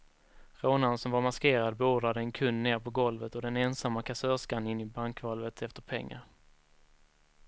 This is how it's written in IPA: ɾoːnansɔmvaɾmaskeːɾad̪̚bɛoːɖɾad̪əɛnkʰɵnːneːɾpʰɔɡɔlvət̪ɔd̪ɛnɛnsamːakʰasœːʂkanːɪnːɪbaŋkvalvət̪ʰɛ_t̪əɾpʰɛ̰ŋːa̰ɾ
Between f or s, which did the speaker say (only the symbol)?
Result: f